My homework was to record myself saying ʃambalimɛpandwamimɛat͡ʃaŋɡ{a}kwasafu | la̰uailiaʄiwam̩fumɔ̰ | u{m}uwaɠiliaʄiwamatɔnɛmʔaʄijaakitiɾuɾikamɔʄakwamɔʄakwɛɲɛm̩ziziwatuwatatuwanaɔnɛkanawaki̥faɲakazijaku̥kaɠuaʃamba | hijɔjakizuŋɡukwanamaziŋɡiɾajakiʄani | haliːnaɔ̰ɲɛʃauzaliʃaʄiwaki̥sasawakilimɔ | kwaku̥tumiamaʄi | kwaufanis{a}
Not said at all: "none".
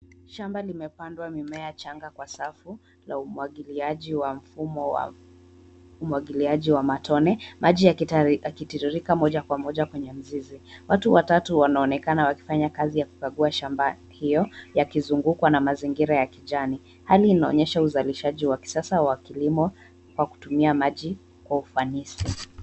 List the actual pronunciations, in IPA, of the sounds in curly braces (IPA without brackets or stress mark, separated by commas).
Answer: a, m, i